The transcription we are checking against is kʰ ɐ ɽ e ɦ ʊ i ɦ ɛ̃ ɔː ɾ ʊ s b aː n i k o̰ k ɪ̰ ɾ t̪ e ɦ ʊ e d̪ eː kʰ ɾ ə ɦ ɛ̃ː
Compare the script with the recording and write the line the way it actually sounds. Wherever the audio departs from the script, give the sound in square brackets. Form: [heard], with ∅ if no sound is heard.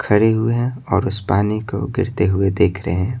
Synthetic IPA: kʰ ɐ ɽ e ɦ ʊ [e] ɦ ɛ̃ ɔː ɾ ʊ s [p] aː n i k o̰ [ɡ] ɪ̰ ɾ t̪ e ɦ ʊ e d̪ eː kʰ ɾ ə ɦ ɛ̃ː